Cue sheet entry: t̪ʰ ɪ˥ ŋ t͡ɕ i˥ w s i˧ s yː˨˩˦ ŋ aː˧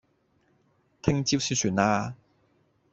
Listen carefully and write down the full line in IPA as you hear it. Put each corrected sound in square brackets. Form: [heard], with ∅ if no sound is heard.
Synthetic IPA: t̪ʰ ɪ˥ ŋ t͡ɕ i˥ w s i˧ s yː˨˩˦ [n] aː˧